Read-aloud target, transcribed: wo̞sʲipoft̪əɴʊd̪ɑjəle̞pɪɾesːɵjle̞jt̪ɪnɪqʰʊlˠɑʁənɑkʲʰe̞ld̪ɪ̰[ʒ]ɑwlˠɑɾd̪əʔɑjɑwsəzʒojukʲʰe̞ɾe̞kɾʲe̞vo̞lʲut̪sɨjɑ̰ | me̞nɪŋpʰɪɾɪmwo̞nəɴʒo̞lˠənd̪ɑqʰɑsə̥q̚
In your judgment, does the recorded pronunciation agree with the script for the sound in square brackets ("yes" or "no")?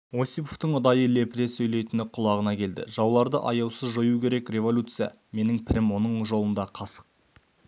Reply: yes